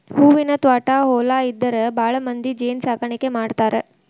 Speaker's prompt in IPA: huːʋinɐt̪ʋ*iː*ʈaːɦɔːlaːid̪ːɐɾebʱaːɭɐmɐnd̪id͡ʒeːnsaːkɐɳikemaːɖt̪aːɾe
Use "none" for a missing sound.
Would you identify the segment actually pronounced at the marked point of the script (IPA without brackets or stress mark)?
aː